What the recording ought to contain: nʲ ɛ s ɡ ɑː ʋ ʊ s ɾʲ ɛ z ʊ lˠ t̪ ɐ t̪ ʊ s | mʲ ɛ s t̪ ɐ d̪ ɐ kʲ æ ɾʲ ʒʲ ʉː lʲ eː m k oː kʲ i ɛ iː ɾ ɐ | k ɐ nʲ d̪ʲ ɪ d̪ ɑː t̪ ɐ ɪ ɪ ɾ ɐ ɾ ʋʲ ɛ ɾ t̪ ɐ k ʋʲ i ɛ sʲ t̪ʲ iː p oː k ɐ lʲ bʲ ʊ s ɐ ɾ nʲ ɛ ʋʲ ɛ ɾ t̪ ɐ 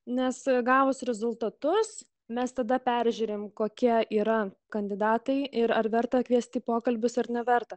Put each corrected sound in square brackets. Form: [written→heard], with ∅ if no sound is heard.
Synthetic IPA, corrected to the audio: nʲ ɛ s ɡ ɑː ʋ ʊ s ɾʲ ɛ z ʊ lˠ t̪ ɐ t̪ ʊ s | mʲ ɛ s t̪ ɐ d̪ ɐ [kʲ→pʲ] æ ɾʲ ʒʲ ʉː [lʲ→ɾʲ] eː m k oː kʲ i ɛ iː ɾ ɐ | k ɐ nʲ d̪ʲ ɪ d̪ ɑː t̪ ɐ ɪ ɪ ɾ ɐ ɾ ʋʲ ɛ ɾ t̪ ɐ k ʋʲ i ɛ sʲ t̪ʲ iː p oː k ɐ lʲ bʲ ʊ s ɐ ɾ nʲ ɛ ʋʲ ɛ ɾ t̪ ɐ